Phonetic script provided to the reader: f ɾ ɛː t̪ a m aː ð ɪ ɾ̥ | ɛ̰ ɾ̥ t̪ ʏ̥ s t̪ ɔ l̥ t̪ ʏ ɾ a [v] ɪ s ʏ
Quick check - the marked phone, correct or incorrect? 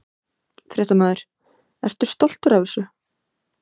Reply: correct